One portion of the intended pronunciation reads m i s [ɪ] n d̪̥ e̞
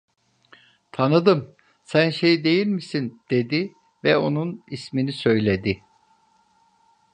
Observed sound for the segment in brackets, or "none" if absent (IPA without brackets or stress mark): i